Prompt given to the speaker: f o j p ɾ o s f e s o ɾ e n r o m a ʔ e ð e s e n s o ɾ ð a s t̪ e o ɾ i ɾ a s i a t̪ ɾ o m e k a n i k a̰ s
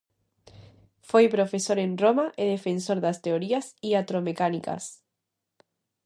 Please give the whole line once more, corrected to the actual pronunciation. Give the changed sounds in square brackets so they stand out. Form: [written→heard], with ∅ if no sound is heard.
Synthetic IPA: f o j p ɾ o [s→∅] f e s o ɾ e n r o m a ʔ e ð e [s→f] e n s o ɾ ð a s t̪ e o ɾ i [ɾ→∅] a s i a t̪ ɾ o m e k a n i k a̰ s